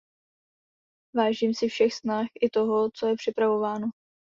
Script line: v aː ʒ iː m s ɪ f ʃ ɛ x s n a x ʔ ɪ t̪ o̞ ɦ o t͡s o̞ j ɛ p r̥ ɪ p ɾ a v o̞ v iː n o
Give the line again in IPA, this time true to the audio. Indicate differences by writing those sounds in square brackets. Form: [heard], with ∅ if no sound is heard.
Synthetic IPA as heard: v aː ʒ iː m s ɪ f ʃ ɛ x s n a x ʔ ɪ t̪ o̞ ɦ o t͡s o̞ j ɛ p r̥ ɪ p ɾ a v o̞ v [aː] n o